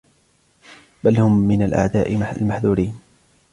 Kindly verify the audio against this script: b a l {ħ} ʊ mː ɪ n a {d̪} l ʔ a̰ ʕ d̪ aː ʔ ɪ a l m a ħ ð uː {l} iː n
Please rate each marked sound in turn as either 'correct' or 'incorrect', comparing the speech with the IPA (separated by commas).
incorrect, incorrect, incorrect